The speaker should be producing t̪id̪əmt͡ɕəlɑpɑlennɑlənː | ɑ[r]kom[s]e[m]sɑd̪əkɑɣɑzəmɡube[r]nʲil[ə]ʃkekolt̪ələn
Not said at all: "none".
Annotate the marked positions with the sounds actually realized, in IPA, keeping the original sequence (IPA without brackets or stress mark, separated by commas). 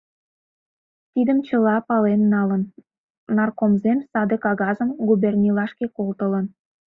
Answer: r, z, m, r, ɑ